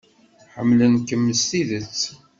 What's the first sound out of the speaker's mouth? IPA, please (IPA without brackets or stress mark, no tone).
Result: ħ